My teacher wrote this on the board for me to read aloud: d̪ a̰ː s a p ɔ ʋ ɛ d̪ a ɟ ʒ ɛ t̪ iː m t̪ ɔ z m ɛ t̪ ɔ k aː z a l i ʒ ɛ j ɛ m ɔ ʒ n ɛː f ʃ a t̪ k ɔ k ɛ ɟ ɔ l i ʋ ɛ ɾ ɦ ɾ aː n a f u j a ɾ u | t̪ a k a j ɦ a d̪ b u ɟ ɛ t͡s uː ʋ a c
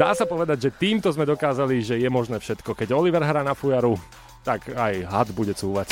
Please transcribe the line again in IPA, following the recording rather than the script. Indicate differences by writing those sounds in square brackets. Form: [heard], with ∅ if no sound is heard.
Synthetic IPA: d̪ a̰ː s a p ɔ ʋ ɛ d̪ a ɟ ʒ ɛ t̪ iː m t̪ ɔ z m ɛ [d̪] ɔ k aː z a l i ʒ ɛ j ɛ m ɔ ʒ n ɛː f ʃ [ɛ] t̪ k ɔ k ɛ ɟ ɔ l i ʋ ɛ ɾ ɦ ɾ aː n a f u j a ɾ u | t̪ a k a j ɦ a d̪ b u ɟ ɛ t͡s uː ʋ a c